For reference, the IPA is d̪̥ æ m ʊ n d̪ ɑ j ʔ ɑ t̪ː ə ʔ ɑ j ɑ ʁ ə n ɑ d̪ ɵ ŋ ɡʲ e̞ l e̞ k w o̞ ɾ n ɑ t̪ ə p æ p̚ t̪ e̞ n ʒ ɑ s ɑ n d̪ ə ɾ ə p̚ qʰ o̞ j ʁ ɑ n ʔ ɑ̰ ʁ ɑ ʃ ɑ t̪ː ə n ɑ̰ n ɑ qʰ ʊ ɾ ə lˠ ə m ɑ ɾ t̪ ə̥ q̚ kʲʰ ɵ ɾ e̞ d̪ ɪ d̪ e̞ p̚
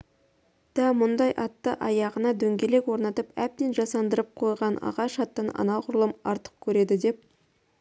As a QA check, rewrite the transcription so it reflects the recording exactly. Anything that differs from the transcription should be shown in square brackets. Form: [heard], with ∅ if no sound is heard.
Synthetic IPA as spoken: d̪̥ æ m ʊ n d̪ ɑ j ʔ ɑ t̪ː ə ʔ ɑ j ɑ ʁ ə n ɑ d̪ ɵ ŋ ɡʲ e̞ l e̞ k w o̞ ɾ n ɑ t̪ ə p æ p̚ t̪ e̞ n ʒ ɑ s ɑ n d̪ ə ɾ ə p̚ qʰ o̞ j ʁ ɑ n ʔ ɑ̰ ʁ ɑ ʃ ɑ t̪ː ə n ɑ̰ n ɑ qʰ ʊ ɾ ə lˠ ə m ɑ ɾ t̪ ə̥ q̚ kʲʰ ɵ ɾ e̞ d̪ ɪ d̪ e̞ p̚